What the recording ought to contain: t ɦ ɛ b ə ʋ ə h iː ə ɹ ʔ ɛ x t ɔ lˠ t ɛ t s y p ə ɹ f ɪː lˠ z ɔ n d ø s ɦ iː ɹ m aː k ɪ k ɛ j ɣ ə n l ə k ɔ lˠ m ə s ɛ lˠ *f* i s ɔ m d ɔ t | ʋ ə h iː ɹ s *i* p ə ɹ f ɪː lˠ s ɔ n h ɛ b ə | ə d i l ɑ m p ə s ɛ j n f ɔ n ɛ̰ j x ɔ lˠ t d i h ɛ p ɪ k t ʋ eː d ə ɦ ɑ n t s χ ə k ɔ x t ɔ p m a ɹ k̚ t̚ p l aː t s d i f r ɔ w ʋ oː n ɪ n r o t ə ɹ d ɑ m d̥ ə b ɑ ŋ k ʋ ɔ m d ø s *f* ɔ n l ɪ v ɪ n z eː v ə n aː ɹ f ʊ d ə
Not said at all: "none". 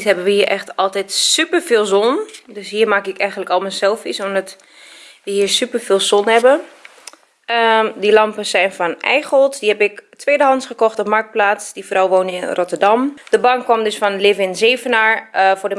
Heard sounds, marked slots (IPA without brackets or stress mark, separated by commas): f, y, f